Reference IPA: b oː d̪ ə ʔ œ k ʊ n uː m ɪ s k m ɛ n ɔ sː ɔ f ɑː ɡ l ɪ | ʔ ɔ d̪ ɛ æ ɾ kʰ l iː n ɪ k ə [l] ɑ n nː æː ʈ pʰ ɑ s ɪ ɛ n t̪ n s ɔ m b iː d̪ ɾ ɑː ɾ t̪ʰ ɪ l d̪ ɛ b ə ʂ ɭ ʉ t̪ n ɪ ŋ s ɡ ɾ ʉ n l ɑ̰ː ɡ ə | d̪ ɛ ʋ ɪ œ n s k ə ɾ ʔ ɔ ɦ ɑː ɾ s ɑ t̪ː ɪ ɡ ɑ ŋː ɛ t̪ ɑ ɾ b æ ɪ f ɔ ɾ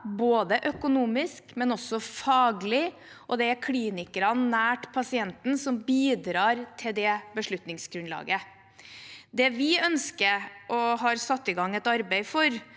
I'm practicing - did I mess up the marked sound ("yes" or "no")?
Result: yes